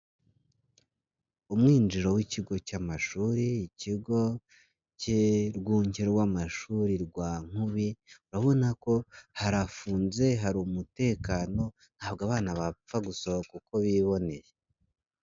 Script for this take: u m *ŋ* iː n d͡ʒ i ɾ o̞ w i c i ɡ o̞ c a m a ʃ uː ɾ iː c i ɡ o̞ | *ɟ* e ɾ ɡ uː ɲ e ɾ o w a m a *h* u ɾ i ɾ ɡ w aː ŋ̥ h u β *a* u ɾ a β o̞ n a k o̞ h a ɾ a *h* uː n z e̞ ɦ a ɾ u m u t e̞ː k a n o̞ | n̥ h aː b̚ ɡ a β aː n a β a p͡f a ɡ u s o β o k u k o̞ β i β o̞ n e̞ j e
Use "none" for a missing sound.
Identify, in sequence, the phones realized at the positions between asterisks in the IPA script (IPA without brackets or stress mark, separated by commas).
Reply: ŋ, c, ʃ, i, f